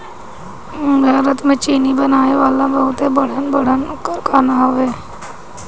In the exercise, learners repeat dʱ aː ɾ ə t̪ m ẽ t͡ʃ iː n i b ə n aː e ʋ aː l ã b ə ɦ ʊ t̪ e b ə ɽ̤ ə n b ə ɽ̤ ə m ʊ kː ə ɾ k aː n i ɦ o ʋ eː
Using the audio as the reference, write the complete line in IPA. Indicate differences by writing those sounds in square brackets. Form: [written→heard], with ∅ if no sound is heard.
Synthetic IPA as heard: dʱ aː ɾ ə t̪ m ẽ t͡ʃ iː n i b ə n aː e ʋ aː l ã b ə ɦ ʊ t̪ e b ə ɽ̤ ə n b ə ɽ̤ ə [m→n] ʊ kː ə ɾ k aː n [i→a] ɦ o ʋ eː